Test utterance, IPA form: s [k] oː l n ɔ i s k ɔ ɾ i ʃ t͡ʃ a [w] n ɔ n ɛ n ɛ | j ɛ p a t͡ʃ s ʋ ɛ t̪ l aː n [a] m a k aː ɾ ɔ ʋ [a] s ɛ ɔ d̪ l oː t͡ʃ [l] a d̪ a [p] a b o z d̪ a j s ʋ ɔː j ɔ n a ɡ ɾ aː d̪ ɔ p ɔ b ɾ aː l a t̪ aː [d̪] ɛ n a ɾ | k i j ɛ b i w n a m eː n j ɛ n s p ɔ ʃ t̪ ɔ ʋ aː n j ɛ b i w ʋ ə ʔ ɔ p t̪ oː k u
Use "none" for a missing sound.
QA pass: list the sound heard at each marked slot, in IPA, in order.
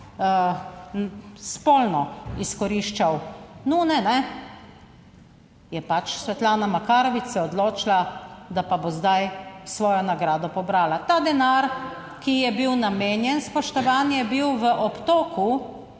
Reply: p, w, a, i, l, p, d̪

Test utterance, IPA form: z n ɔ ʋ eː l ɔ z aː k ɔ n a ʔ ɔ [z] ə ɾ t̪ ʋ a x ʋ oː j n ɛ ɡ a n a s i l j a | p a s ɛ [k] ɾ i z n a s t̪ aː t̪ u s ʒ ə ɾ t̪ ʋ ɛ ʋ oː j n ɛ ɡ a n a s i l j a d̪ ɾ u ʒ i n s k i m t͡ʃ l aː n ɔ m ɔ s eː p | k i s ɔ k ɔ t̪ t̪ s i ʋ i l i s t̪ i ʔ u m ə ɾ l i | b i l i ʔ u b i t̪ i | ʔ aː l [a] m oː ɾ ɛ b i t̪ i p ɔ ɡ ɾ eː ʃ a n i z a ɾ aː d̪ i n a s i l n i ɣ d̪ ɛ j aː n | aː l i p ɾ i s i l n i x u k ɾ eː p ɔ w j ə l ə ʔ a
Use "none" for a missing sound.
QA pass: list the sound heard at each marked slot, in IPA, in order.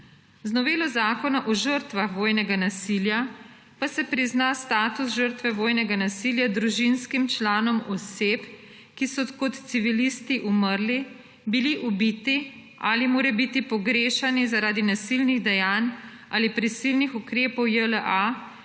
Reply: ʒ, p, i

